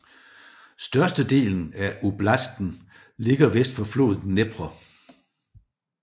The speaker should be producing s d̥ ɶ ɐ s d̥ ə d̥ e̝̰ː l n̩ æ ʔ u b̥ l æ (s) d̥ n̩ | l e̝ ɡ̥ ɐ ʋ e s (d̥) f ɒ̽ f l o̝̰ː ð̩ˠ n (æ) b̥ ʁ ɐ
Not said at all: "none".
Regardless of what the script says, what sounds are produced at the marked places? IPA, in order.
s, d̥, e

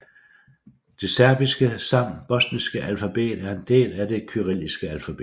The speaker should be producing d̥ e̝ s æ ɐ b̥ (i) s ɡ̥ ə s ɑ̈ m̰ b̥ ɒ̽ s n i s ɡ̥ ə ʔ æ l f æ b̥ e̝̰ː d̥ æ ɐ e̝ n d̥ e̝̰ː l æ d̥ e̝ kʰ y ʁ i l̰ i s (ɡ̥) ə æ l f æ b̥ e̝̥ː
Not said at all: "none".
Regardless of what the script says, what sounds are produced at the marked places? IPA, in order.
i, ɡ̥

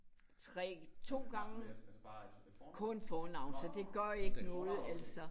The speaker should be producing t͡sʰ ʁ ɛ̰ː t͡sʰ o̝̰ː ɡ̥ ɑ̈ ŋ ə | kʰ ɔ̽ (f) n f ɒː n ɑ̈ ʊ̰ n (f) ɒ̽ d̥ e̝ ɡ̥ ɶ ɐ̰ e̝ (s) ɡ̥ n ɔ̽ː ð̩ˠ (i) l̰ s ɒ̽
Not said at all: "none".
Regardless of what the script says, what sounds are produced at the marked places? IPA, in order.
none, s, none, æ

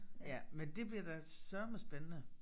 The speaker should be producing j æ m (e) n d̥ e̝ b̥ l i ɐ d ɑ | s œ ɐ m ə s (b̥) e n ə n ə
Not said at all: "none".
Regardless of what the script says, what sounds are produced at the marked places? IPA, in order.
e, b̥

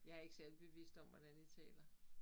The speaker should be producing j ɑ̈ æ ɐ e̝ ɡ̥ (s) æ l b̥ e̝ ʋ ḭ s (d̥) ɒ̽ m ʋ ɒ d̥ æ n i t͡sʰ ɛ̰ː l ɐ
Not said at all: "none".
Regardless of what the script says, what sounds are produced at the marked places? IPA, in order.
s, d̥

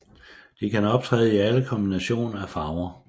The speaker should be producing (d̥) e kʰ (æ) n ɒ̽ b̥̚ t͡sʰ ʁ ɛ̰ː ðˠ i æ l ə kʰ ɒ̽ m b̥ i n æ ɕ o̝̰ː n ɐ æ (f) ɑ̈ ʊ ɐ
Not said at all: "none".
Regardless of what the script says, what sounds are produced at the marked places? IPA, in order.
d̥, æ, f

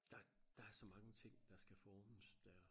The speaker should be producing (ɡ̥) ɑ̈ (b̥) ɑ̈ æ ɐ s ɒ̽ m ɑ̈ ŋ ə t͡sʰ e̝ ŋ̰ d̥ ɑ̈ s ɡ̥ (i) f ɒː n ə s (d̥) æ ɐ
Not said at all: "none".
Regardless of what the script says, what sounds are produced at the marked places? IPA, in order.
d̥, d̥, æ, d̥

